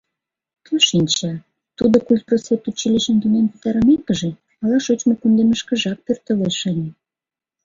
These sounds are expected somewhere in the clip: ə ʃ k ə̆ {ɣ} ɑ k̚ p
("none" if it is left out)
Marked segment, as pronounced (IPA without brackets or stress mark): ʒ